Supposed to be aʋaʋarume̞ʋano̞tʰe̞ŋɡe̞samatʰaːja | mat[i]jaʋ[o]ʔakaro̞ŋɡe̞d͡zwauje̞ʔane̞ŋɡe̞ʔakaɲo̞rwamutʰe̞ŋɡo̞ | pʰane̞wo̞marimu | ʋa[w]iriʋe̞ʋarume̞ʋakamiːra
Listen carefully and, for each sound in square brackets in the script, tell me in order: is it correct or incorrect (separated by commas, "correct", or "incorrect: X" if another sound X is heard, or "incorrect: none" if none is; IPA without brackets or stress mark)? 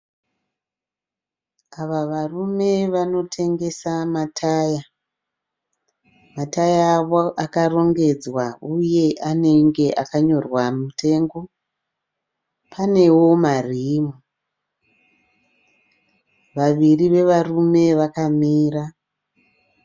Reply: incorrect: a, correct, incorrect: ʋ